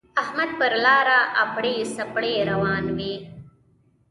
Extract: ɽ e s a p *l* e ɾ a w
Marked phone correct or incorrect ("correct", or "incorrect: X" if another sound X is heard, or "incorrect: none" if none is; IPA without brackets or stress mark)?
incorrect: ɽ